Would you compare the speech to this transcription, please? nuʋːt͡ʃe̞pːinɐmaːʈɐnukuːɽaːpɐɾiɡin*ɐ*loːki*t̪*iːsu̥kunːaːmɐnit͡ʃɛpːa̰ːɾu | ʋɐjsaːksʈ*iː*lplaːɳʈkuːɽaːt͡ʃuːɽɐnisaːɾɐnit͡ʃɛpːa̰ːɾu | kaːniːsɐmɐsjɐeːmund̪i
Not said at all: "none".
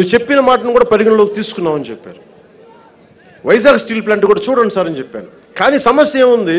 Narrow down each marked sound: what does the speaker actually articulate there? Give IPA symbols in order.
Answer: ɐ, t̪, iː

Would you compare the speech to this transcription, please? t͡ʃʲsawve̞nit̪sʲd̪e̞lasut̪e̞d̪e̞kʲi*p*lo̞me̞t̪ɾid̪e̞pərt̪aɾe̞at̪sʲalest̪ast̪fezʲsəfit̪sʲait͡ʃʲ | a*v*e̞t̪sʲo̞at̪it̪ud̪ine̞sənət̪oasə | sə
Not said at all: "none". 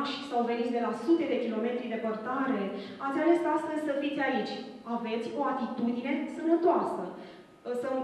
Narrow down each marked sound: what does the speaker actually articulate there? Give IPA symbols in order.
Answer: none, v

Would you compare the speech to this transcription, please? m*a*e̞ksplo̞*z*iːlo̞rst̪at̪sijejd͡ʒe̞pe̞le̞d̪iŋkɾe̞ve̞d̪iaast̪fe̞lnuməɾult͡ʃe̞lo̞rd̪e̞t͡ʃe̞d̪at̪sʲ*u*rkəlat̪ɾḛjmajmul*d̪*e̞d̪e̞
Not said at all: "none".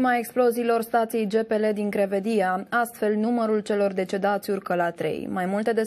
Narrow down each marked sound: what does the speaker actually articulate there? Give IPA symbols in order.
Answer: a, z, u, t̪

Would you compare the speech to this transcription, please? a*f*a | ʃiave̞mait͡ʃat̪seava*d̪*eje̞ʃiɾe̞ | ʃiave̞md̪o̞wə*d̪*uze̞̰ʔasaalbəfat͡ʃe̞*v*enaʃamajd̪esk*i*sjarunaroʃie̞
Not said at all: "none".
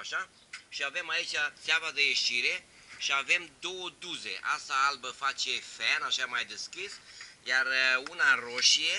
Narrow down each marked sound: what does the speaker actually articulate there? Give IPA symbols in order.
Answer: ʃ, d̪, d̪, f, i

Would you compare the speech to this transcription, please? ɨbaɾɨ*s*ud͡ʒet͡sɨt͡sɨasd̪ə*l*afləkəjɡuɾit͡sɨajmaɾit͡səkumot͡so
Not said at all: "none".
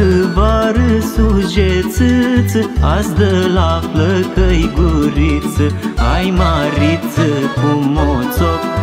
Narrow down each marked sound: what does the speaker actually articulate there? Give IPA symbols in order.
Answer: s, l

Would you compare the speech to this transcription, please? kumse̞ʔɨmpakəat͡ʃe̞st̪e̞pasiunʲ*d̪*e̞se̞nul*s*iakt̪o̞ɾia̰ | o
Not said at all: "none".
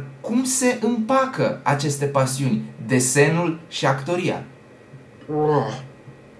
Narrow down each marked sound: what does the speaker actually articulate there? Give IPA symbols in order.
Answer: d̪, ʃ

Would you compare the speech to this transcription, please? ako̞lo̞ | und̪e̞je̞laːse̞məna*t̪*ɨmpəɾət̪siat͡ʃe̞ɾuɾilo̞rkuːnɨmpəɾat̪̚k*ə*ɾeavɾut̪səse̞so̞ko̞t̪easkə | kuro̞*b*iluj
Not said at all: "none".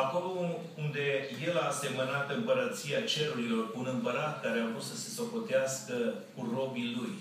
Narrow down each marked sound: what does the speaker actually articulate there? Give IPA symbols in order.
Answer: t̪, a, b

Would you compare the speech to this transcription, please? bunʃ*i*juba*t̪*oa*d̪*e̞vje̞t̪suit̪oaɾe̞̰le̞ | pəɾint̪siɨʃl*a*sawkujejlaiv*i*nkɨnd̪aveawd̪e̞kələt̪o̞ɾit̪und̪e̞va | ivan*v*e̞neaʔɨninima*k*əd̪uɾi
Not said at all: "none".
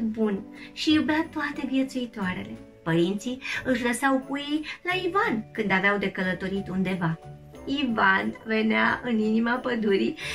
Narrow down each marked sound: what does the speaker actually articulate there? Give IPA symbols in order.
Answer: i, t̪, t̪, ə, a, v, p

